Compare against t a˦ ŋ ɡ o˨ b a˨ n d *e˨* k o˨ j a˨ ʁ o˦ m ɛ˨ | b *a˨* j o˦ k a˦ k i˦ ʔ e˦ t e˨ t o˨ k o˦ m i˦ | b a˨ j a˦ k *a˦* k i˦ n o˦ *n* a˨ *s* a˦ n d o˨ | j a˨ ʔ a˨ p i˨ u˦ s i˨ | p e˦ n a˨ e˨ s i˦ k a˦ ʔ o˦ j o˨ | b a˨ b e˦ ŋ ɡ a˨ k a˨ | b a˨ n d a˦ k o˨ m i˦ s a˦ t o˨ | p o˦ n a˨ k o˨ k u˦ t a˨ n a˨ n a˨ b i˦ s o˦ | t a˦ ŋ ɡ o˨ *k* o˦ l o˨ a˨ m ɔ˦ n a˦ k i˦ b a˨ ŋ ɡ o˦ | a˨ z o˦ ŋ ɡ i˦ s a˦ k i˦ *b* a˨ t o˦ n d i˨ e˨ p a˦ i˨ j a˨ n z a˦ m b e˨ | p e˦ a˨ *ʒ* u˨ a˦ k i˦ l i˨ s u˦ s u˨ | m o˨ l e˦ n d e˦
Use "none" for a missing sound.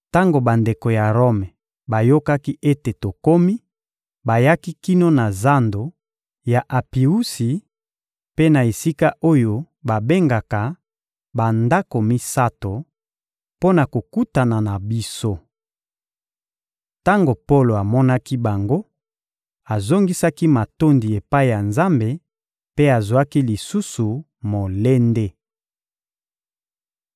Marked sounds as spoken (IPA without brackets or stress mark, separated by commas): e˨, a˨, i˦, n, z, p, m, z